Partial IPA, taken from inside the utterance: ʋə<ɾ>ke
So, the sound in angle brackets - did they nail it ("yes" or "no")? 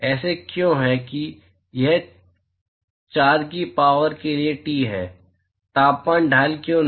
yes